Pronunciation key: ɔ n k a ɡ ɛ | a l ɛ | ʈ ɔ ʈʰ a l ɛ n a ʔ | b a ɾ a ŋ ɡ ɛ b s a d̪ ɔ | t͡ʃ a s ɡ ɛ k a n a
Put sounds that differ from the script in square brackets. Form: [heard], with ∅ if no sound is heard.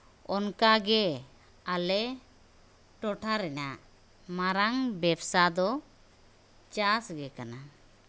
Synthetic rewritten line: ɔ n k a ɡ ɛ | a l ɛ | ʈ ɔ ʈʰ a [ɾ] ɛ n a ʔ | [m] a ɾ a ŋ [b] ɛ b s a d̪ ɔ | t͡ʃ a s ɡ ɛ k a n a